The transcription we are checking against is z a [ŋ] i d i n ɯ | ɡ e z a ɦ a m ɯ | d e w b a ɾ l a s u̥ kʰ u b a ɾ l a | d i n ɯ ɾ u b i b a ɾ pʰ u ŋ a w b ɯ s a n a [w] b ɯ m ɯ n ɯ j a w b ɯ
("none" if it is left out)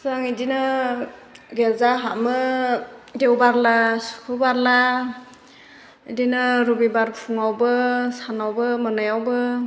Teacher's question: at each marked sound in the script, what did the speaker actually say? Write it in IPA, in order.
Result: ŋ, w

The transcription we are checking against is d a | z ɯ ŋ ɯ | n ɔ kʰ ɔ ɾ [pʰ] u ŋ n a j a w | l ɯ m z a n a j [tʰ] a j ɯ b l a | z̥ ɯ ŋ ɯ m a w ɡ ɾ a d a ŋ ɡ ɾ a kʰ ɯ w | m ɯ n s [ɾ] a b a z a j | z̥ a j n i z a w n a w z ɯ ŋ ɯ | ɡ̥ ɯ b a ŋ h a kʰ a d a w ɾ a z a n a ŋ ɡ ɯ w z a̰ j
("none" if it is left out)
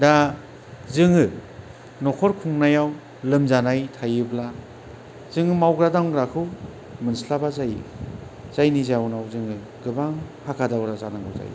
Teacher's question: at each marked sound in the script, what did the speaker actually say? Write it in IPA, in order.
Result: kʰ, tʰ, l

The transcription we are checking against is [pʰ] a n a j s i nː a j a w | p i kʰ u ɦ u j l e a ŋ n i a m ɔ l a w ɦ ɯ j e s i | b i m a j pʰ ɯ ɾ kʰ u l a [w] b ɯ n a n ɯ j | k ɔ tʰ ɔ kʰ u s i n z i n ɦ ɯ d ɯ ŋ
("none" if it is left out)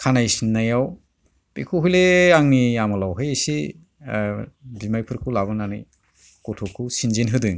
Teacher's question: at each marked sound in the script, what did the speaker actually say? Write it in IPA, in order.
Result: kʰ, none

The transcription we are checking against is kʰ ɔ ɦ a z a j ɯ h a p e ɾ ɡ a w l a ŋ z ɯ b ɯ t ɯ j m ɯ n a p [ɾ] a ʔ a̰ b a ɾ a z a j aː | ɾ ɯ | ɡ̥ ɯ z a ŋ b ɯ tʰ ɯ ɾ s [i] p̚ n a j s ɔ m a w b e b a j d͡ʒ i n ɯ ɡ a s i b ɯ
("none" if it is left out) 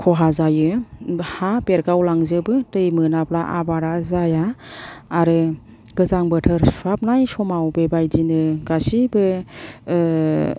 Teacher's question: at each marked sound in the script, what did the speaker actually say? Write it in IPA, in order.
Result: l, a

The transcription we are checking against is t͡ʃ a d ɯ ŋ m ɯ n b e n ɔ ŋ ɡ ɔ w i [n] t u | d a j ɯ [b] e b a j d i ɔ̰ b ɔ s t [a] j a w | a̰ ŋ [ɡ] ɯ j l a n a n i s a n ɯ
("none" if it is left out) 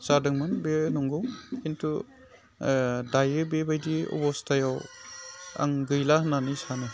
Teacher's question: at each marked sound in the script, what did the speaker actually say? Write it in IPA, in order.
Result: n, b, a, ɡ

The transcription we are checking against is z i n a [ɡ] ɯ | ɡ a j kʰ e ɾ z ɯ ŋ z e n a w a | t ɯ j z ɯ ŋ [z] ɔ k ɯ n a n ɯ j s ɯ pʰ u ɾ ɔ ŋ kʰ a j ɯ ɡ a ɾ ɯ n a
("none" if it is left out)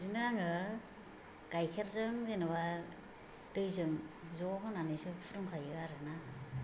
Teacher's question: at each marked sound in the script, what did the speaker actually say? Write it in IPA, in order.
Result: ŋ, z

